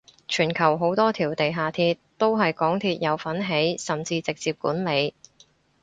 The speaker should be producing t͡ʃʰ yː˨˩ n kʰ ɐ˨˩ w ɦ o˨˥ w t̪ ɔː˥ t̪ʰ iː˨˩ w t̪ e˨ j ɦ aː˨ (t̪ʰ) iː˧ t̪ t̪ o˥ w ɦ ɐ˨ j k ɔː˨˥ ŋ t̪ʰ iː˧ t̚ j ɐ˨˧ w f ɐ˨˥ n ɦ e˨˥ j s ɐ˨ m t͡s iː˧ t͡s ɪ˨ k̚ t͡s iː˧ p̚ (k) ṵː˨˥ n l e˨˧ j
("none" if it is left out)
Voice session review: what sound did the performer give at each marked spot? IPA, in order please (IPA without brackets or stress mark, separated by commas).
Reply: t̪ʰ, k